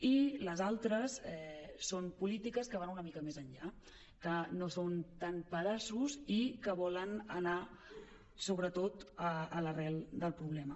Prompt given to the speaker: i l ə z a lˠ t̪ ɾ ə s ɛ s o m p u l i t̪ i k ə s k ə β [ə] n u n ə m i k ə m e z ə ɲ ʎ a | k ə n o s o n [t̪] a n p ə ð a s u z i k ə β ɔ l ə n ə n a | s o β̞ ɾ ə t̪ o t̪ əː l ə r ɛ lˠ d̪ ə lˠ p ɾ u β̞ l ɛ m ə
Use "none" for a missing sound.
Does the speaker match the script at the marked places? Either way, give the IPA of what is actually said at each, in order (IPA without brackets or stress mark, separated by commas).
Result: a, t̪